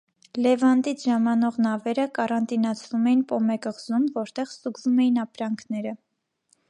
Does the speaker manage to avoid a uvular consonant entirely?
no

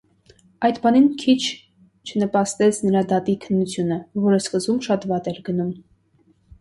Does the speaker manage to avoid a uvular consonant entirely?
yes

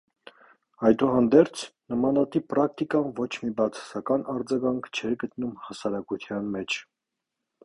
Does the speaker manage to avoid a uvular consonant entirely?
yes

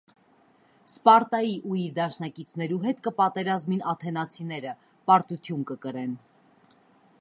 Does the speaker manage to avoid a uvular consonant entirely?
yes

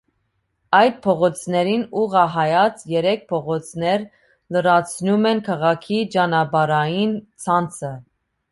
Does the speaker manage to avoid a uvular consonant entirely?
no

